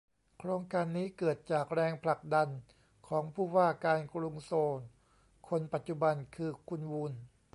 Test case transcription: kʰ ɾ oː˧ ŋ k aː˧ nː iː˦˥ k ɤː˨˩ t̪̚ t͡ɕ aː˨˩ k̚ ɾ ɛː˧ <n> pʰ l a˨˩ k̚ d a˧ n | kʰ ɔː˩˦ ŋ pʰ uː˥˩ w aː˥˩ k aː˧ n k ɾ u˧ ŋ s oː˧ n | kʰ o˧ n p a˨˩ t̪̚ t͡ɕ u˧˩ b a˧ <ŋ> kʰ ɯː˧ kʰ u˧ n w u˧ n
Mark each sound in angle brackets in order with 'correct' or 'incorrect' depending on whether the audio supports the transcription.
incorrect: ŋ, incorrect: n

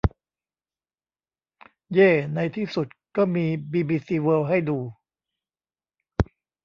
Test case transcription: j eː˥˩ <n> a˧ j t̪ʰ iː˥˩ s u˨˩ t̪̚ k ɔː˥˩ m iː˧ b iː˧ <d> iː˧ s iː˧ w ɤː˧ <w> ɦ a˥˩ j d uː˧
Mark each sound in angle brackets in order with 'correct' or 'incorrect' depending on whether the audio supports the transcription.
correct, incorrect: b, correct

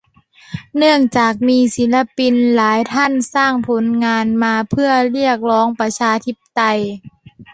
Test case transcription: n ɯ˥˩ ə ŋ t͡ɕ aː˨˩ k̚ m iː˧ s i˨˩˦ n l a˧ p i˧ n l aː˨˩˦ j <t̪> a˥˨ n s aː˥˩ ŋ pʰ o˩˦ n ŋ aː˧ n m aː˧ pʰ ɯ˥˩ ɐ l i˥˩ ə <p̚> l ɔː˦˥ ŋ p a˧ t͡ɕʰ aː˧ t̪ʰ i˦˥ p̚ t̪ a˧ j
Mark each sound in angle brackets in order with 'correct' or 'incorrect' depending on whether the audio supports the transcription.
incorrect: t̪ʰ, incorrect: k̚

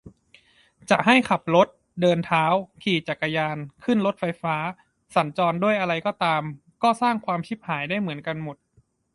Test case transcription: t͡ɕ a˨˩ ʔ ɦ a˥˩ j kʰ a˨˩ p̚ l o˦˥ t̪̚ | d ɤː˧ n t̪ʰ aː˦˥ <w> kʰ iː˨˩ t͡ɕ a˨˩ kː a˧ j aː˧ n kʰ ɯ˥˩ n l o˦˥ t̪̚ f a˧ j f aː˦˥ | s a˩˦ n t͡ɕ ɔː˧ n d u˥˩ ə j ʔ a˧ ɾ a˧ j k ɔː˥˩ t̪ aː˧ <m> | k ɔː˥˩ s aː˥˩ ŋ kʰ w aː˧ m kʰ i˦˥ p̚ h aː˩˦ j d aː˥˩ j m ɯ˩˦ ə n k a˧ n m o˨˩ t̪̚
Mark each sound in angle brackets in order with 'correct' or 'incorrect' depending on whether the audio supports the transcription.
correct, correct

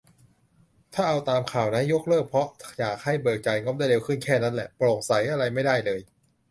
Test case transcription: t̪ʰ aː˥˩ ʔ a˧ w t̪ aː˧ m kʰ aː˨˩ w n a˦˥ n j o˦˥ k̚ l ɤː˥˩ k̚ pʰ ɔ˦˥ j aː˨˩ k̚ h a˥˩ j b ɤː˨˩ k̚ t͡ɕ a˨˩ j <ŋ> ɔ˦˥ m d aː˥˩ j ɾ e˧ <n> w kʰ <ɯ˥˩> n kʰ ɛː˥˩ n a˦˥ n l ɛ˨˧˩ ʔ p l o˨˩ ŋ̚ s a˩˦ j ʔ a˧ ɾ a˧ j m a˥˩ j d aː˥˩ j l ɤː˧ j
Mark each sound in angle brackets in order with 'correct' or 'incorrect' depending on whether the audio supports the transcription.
correct, incorrect: none, correct

